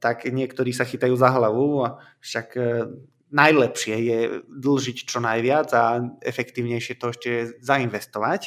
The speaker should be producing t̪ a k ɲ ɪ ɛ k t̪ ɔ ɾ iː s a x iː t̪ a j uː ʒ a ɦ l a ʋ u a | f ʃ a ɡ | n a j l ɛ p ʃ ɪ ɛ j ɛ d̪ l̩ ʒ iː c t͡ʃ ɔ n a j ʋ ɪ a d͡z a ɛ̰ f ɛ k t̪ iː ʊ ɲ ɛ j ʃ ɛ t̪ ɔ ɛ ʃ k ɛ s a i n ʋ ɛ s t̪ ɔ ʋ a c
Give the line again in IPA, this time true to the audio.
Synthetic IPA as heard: t̪ a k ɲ ɪ ɛ k t̪ ɔ ɾ iː s a x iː t̪ a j uː z a ɦ l a ʋ u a | f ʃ a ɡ | n a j l ɛ p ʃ ɪ ɛ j ɛ d̪ l̩ ʒ i c t͡ʃ ɔ n a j ʋ ɪ a d͡z a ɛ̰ f ɛ k t̪ iː ʊ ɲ ɛ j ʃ ɛ t̪ ɔ ɛ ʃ c ɛ z a i n ʋ ɛ s t̪ ɔ ʋ a c